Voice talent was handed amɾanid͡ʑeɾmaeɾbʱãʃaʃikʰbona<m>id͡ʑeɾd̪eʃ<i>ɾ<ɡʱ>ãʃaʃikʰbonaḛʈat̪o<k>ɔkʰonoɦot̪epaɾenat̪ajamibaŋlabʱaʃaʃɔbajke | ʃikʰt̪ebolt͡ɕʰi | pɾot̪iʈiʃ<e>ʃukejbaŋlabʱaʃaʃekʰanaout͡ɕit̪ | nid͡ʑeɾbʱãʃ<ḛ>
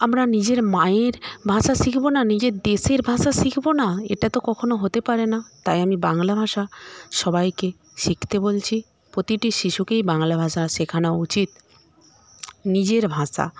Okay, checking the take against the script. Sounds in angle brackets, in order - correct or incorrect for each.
incorrect, incorrect, incorrect, correct, incorrect, incorrect

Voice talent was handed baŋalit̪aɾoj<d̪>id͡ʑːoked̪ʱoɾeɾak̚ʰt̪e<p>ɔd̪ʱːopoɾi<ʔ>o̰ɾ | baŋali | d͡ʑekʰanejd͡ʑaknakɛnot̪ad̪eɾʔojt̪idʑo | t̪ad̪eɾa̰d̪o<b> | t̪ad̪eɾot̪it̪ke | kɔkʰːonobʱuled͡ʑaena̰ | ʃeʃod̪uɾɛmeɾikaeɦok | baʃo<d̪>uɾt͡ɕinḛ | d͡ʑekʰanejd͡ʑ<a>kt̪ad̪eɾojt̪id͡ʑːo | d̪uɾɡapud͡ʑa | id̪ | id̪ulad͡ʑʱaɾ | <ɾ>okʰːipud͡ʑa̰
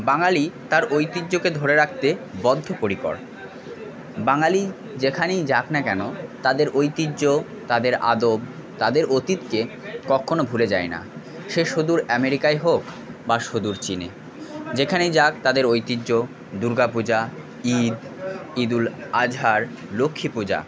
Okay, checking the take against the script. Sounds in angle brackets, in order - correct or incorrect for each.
incorrect, incorrect, incorrect, correct, correct, correct, incorrect

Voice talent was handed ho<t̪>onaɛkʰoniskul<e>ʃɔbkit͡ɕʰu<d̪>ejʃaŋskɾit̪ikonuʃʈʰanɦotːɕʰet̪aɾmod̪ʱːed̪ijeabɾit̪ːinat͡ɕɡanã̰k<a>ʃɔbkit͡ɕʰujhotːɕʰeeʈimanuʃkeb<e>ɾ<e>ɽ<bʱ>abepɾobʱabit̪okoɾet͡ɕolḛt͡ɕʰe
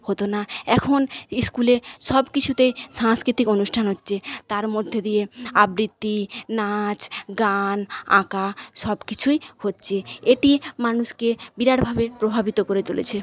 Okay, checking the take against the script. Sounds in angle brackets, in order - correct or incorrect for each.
correct, correct, incorrect, correct, incorrect, incorrect, correct

